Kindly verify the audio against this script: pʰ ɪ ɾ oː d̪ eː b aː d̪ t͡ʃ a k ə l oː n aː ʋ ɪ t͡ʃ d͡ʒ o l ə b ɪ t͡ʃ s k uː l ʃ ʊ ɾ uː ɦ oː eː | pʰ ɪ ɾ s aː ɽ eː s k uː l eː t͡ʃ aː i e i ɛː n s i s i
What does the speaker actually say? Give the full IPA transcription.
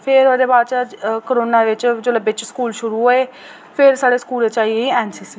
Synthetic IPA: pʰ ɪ ɾ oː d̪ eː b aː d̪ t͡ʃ a k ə ɾ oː n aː ʋ ɪ t͡ʃ d͡ʒ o l ə b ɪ t͡ʃ s k uː l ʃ ʊ ɾ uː ɦ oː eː | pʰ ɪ ɾ s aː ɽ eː s k uː l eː t͡ʃ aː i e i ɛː n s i s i